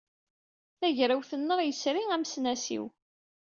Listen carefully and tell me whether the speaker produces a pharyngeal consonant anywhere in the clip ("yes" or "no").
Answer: no